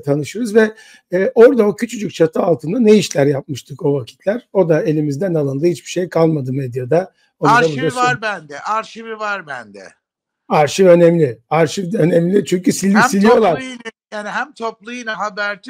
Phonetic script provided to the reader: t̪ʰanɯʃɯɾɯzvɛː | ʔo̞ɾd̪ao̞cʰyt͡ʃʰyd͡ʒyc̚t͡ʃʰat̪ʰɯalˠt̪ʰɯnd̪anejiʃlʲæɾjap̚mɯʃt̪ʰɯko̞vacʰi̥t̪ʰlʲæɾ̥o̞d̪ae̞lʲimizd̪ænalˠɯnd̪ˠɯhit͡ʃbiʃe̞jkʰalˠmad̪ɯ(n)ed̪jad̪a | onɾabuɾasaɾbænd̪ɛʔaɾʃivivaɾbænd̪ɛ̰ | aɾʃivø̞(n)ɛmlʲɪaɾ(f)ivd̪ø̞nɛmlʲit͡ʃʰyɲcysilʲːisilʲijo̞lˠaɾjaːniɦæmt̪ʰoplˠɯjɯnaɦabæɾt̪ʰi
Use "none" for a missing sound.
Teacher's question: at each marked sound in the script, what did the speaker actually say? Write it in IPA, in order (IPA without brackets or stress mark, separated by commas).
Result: m, n, ʃ